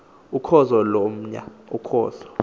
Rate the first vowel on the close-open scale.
close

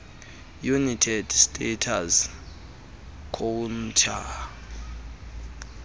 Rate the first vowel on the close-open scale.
close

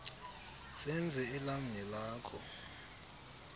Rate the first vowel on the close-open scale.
mid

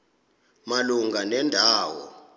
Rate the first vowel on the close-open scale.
open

